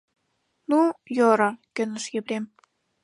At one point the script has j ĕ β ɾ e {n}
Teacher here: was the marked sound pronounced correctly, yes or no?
no